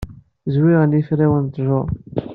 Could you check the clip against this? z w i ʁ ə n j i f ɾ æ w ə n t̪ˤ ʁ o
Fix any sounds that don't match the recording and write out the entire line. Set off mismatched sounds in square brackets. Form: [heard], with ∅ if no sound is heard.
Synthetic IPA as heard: z w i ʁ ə n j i f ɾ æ w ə n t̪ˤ [ʒ] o